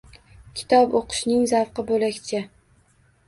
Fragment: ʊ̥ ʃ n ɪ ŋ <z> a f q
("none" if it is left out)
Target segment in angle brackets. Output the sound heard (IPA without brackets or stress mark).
z